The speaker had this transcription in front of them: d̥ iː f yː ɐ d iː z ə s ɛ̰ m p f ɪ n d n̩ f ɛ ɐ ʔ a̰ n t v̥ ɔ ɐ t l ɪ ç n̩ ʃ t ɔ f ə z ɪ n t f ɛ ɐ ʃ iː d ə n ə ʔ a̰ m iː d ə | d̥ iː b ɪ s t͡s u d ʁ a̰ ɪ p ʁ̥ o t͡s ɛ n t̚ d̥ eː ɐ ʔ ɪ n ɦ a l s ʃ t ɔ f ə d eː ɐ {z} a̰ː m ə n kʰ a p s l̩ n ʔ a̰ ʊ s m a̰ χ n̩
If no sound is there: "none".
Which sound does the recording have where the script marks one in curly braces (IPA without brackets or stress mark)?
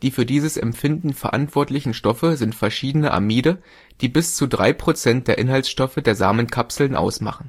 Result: z